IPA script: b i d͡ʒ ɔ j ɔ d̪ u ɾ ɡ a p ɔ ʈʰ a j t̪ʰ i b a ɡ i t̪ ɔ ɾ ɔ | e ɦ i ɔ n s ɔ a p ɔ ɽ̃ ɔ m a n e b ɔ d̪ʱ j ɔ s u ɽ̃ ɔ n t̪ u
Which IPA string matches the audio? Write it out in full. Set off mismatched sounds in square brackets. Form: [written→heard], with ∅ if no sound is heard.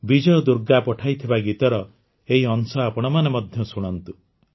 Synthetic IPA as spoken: b i d͡ʒ ɔ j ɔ d̪ u ɾ ɡ a p ɔ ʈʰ a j t̪ʰ i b a ɡ i t̪ ɔ ɾ ɔ | e ɦ i ɔ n s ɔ a p ɔ ɽ̃ ɔ m a n e [b→m] ɔ d̪ʱ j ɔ s u ɽ̃ ɔ n t̪ u